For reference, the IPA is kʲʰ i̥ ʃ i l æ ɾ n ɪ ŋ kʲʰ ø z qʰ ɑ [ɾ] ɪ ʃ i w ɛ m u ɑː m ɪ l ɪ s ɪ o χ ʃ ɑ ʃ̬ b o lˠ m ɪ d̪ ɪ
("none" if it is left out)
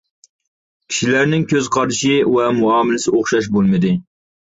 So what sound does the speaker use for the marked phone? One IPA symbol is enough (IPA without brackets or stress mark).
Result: ɾ